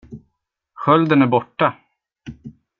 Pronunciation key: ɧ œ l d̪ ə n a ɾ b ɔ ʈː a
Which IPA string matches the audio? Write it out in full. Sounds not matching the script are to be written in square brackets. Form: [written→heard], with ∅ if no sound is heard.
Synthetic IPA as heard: ɧ œ l d̪ ə n [a→æ] ɾ b ɔ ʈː a